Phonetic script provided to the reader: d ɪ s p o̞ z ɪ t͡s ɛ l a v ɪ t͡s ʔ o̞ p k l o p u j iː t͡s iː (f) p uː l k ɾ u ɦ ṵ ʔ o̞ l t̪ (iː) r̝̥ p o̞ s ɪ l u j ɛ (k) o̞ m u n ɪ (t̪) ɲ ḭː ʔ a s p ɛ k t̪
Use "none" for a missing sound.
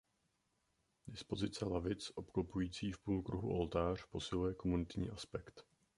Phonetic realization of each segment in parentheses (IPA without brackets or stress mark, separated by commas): f, aː, k, t̪